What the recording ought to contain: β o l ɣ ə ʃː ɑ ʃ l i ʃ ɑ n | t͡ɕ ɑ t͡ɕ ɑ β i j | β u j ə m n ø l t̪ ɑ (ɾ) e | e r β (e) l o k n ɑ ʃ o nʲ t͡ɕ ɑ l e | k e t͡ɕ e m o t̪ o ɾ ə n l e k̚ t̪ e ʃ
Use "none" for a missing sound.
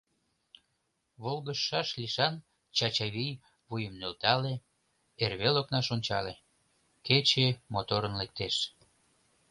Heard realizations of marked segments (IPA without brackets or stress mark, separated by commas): l, e